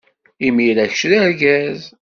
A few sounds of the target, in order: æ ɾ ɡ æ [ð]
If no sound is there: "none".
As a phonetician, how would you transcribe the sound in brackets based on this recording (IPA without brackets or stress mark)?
z